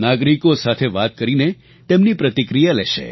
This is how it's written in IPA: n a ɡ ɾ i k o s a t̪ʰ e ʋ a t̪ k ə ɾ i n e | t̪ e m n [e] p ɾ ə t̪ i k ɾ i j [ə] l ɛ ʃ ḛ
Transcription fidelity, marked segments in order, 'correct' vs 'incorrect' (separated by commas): incorrect, incorrect